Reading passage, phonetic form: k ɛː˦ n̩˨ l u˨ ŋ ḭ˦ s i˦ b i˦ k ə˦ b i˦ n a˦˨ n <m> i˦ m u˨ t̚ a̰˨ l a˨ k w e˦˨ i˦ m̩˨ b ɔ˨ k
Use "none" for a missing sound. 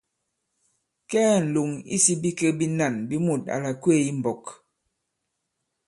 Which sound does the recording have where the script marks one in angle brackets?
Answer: b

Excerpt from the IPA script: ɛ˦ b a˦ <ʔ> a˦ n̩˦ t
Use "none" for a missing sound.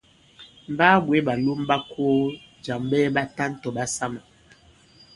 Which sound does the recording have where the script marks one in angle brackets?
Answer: t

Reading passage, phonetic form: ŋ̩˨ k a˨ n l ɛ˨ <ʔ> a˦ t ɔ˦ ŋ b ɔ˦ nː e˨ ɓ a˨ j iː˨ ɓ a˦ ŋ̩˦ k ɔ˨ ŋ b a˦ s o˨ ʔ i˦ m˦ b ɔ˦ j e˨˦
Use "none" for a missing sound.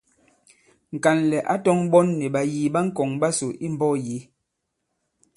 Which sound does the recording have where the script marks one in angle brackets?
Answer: ʔ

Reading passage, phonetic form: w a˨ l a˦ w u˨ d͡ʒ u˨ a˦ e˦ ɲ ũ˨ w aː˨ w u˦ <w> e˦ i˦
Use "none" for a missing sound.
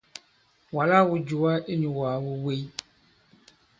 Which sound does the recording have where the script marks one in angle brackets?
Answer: w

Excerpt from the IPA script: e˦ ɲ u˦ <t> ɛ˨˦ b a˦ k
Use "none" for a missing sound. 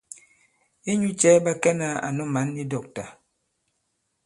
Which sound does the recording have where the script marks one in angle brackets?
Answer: t͡ʃ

